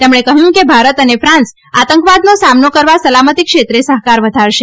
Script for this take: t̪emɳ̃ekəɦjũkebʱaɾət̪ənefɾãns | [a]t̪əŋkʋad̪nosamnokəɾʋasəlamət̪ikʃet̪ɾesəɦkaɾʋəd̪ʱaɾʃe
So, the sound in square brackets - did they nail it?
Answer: yes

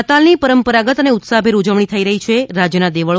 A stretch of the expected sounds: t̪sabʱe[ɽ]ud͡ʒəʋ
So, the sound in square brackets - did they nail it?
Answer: no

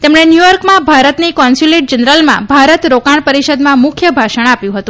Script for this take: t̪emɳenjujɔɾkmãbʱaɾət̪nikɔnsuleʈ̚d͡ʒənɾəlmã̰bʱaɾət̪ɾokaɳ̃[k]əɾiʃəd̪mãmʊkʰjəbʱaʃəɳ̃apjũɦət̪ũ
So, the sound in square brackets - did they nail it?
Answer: no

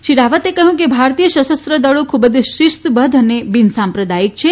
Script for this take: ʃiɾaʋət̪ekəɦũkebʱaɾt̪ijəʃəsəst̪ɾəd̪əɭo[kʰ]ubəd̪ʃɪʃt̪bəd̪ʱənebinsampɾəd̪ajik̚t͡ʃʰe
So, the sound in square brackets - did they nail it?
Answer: yes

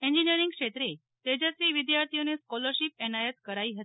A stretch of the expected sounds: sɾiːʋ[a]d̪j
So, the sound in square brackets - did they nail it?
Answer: no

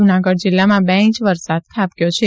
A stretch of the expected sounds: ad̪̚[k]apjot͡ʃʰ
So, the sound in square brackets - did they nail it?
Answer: no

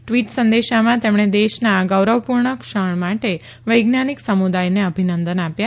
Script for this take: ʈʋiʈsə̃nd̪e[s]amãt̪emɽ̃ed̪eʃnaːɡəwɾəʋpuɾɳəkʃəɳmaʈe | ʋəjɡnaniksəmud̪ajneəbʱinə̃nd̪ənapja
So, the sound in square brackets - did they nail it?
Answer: no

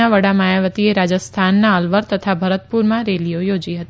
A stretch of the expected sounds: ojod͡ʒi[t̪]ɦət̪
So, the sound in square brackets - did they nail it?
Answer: no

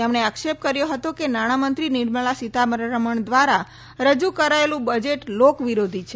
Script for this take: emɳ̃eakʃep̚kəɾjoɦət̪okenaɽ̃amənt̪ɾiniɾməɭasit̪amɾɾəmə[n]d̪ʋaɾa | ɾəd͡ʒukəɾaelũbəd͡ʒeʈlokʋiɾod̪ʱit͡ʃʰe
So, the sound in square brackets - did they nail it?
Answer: no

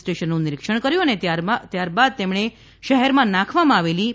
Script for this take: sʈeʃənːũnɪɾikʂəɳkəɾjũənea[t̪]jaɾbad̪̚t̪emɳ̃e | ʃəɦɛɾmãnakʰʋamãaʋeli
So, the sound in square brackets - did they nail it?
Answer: yes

